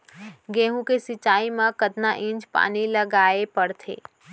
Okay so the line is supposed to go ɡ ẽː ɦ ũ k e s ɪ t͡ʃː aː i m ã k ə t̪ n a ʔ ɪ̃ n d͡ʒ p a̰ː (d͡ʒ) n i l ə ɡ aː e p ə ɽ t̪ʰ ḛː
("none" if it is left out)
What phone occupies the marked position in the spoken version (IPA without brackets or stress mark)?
none